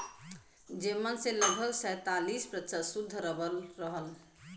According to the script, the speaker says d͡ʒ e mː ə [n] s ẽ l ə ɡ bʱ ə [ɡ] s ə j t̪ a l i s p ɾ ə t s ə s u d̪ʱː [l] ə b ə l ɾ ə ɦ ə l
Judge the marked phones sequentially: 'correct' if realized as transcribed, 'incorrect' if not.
correct, correct, incorrect

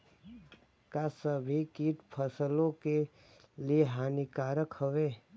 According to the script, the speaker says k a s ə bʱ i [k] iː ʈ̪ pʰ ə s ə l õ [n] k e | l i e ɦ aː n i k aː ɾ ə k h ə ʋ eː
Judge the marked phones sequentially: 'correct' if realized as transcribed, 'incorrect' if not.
correct, incorrect

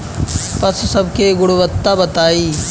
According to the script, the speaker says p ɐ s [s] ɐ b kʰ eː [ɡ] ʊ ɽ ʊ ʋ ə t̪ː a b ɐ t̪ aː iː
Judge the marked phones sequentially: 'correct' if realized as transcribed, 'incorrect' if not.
correct, correct

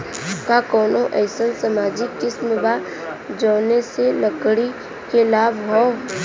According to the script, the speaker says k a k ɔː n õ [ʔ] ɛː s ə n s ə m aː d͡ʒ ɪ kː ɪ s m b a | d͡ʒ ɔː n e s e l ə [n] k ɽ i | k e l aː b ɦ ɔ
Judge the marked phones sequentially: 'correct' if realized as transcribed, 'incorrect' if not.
correct, incorrect

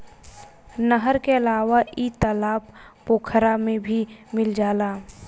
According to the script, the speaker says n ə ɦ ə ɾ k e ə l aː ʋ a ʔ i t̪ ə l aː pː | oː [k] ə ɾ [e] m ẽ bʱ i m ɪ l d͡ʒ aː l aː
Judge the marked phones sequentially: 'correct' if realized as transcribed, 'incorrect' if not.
incorrect, incorrect

